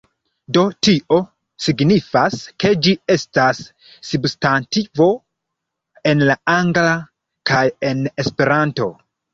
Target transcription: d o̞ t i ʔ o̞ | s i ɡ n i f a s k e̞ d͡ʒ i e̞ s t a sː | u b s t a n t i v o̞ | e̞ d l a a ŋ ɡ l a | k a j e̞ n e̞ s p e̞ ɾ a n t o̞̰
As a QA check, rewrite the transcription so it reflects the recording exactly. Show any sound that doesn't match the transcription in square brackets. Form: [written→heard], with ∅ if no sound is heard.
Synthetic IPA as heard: d o̞ t i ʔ o̞ | s i ɡ n i f a s k e̞ d͡ʒ i e̞ s t a sː | u b s t a n t i v o̞ | e̞ [d→n] l a a ŋ ɡ l a | k a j e̞ n e̞ s p e̞ ɾ a n t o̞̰